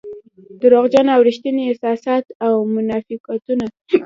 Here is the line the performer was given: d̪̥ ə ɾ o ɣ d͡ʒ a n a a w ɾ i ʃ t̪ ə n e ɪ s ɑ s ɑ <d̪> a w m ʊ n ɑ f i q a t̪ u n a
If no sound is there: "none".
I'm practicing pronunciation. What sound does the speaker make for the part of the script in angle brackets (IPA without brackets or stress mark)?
t̪